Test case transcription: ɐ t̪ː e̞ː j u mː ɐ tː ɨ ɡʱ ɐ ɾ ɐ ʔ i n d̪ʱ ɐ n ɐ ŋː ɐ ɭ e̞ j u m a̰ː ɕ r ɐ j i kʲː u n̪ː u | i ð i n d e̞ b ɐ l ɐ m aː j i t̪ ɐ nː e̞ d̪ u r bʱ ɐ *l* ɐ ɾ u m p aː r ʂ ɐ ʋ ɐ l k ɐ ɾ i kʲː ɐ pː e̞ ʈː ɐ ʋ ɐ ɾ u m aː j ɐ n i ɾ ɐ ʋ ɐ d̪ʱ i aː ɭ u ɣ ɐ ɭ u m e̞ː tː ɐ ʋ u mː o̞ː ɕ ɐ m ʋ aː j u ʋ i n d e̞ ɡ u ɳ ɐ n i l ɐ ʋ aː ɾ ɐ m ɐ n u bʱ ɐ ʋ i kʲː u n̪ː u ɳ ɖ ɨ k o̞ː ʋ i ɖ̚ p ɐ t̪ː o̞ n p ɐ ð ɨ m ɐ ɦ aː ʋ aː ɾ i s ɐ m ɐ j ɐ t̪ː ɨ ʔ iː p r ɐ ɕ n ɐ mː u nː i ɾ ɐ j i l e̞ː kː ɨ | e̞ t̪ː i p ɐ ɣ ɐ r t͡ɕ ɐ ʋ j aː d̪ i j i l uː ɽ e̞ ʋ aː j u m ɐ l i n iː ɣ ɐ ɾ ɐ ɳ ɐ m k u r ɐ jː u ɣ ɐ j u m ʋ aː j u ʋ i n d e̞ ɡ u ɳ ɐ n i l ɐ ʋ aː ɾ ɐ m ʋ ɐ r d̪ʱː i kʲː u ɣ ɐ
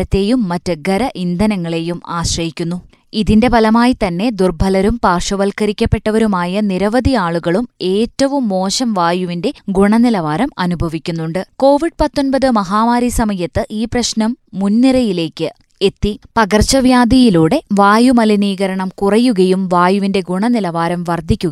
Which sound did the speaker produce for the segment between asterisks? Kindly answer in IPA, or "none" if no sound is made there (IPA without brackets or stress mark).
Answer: l